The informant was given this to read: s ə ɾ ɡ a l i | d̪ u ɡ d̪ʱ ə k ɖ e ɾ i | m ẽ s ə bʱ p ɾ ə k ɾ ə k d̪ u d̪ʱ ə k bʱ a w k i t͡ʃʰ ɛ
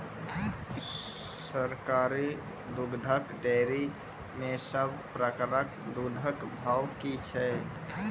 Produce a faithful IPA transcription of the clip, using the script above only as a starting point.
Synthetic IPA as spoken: s ə ɾ k a ɾ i | d̪ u ɡ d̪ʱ ə k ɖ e ɾ i | m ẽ s ə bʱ p ɾ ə k ɾ ə k d̪ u d̪ʱ ə k bʱ a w k i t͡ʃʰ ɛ